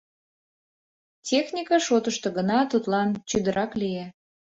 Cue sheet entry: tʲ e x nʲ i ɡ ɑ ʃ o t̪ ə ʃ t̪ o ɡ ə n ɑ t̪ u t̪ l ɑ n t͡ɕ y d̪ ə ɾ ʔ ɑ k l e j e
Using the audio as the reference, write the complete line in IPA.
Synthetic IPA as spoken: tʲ e x nʲ i k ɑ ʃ o t̪ ə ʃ t̪ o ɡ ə n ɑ t̪ u t̪ l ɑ n t͡ɕ y d̪ ə ɾ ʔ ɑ k l i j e